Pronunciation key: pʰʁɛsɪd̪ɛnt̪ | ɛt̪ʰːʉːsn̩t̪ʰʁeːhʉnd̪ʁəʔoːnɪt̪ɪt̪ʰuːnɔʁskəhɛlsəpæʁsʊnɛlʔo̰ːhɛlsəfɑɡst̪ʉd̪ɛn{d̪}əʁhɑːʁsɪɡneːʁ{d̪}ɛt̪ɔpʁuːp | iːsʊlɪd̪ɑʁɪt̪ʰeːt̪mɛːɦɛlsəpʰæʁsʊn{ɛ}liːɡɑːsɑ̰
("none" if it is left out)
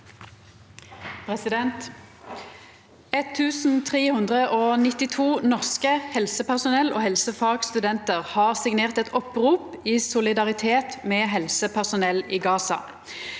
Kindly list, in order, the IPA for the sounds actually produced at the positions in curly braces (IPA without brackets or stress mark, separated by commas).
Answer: t̪, t̪, ɛ